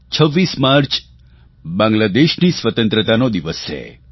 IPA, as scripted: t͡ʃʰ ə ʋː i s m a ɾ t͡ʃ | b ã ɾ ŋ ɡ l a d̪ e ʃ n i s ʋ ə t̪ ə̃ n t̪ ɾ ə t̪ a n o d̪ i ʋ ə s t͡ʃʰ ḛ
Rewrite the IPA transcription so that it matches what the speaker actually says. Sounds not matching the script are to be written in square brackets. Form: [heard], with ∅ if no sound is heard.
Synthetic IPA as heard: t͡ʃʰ ə ʋː i s m a ɾ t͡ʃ | b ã [∅] ŋ ɡ l a d̪ e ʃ n i s ʋ ə t̪ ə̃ n t̪ ɾ ə t̪ a n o d̪ i ʋ ə s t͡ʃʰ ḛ